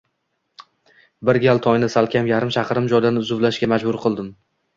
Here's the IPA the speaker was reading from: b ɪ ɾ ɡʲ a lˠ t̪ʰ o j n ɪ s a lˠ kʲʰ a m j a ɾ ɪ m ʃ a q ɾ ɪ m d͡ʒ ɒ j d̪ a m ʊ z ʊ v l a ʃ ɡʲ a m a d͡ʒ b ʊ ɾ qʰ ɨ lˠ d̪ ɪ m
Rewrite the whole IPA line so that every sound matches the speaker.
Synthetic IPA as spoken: b ɪ ɾ ɡʲ a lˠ t̪ʰ ɒ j n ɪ s a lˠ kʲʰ a m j a ɾ ɪ m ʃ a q ɾ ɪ m d͡ʒ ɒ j d̪ a n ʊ z ʊ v l a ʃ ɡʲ a m a d͡ʒ b ʊ ɾ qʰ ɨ lˠ d̪ ɪ m